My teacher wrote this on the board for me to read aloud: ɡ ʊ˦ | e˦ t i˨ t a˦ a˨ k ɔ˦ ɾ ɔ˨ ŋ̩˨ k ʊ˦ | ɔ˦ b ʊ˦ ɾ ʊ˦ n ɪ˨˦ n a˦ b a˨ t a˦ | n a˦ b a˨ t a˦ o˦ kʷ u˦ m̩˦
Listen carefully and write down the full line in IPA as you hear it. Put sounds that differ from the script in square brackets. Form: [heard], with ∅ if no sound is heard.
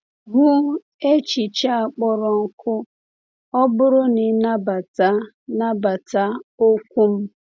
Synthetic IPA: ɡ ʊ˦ | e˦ [t͡ʃ] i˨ [t͡ʃ] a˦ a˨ [k͡p] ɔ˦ ɾ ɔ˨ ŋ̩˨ k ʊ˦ | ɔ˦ b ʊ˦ ɾ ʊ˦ n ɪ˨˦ n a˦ b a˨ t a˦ | n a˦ b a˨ t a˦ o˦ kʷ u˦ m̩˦